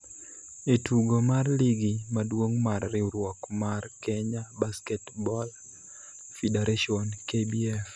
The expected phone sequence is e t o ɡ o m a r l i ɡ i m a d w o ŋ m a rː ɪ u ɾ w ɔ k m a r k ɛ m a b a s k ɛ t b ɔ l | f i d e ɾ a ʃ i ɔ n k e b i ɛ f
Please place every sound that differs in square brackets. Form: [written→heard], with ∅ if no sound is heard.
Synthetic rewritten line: e t [o→u] ɡ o m a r l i ɡ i m a d w o ŋ m a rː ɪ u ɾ w ɔ k m a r k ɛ [m→ɲ] a b a s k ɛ t b ɔ l | f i d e ɾ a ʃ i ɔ n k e b i ɛ f

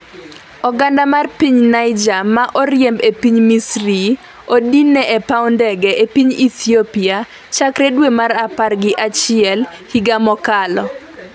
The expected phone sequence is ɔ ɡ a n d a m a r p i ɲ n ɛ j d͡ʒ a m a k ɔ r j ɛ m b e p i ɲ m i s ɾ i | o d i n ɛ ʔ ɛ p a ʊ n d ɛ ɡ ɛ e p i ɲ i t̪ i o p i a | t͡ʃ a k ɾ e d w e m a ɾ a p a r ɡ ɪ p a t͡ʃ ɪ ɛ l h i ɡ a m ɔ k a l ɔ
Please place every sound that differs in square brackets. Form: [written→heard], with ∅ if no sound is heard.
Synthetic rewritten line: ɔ ɡ a n d a m a r p i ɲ n [ɛ→a] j d͡ʒ a m a [k→ʔ] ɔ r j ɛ m b e p i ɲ m i s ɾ i | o d i n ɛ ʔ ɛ p a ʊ n d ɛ ɡ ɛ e p i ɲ i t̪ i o p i a | t͡ʃ a k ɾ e d w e m a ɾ a p a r ɡ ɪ [p→ʔ] a t͡ʃ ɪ ɛ l h i ɡ a m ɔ k a l ɔ

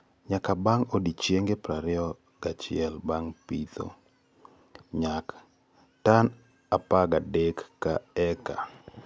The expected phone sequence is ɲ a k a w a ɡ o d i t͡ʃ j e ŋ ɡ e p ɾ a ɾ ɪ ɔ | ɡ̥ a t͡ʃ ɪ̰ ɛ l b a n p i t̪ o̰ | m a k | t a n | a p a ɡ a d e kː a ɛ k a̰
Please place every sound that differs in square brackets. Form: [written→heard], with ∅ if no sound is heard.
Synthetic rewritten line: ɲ a k a [w→b] a [ɡ→ŋ] o d i t͡ʃ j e ŋ ɡ e p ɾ a ɾ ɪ ɔ | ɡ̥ a t͡ʃ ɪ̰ ɛ l b a [n→ŋ] p i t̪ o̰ | [m→ɲ] a k | t a n | a p a ɡ a d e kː a ɛ k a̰

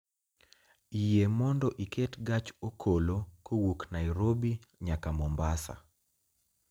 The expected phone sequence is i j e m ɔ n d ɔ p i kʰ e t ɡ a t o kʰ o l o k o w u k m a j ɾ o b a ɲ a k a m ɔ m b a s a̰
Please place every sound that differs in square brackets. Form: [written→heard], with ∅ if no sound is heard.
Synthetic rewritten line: i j e m ɔ n d ɔ [p→ʔ] i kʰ e t ɡ a [t→t͡ʃ] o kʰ o l o k o w u k [m→n] a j ɾ o b [a→i] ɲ a k a m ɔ m b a s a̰

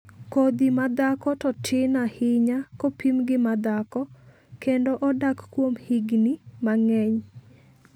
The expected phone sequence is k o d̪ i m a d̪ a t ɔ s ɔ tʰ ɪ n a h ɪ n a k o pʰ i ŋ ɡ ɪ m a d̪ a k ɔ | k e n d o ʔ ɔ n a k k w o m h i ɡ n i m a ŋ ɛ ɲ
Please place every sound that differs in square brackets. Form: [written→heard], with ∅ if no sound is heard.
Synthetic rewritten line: k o d̪ i m a d̪ a [t→k] ɔ [s→t] ɔ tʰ ɪ n a h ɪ [n→ɲ] a k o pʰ i [ŋ→m] ɡ ɪ m a d̪ a k ɔ | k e n d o ʔ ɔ [n→d] a k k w o m h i ɡ n i m a ŋ ɛ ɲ

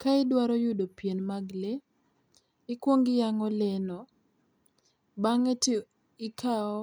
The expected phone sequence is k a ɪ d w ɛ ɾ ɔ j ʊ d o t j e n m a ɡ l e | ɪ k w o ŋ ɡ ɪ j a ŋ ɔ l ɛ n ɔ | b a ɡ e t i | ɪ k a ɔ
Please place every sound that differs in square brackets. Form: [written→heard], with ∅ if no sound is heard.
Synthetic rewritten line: k a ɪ d w [ɛ→a] ɾ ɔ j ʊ d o [t→p] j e n m a ɡ l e | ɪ k w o ŋ ɡ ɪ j a ŋ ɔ l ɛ n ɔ | b a [ɡ→ŋ] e t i | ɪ k a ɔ

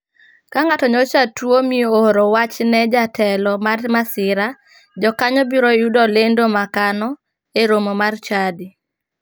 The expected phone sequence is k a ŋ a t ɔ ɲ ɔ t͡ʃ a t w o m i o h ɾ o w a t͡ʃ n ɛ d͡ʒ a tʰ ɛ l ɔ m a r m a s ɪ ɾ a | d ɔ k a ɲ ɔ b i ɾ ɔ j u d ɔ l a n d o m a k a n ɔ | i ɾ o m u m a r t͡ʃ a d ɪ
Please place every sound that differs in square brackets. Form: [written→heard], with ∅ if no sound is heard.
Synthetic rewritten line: k a ŋ a t ɔ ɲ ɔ t͡ʃ a t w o m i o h ɾ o w a t͡ʃ n ɛ d͡ʒ a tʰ ɛ l ɔ m a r m a s ɪ ɾ a | [d→d͡ʒ] ɔ k a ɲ ɔ b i ɾ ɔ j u d ɔ l [a→e] n d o m a k a n ɔ | [i→e] ɾ o m [u→o] m a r t͡ʃ a d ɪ

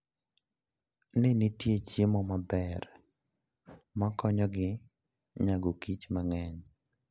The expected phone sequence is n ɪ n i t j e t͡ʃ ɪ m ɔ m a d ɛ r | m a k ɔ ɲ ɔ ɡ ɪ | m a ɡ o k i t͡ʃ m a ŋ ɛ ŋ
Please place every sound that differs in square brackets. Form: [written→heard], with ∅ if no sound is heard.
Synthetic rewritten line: n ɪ n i t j e t͡ʃ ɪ m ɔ m a [d→b] ɛ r | m a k ɔ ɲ ɔ ɡ ɪ | [m→ɲ] a ɡ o k i t͡ʃ m a ŋ ɛ [ŋ→ɲ]

